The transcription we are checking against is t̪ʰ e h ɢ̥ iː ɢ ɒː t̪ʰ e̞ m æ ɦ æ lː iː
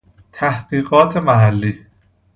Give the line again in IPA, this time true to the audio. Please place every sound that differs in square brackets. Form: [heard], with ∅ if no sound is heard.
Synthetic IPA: t̪ʰ [æ] h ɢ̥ iː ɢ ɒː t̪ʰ e̞ m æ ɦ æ lː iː